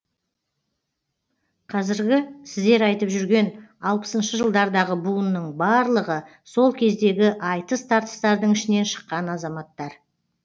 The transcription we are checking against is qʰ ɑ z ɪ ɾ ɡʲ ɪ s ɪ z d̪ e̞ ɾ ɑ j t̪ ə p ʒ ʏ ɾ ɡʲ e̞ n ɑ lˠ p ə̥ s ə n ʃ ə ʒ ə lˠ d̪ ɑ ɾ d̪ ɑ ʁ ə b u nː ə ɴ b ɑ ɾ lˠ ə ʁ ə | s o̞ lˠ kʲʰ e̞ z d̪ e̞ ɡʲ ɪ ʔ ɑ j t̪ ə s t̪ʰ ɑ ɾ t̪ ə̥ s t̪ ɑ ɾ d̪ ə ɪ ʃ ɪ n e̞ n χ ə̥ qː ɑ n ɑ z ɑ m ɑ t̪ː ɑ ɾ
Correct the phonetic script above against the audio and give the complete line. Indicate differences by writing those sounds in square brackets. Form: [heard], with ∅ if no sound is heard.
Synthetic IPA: qʰ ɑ z ɪ ɾ ɡʲ ɪ s ɪ z d̪ e̞ ɾ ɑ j t̪ ə p ʒ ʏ ɾ ɡʲ e̞ n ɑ lˠ p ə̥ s ə n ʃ ə ʒ ə lˠ d̪ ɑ ɾ d̪ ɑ ʁ ə b u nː ə ɴ b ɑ ɾ lˠ ə ʁ ə | s o̞ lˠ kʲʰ e̞ z d̪ e̞ ɡʲ ɪ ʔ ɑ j t̪ ə s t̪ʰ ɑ ɾ t̪ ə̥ s t̪ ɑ ɾ d̪ ə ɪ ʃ ɪ n e̞ n [ʃ] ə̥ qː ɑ n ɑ z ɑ m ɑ t̪ː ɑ ɾ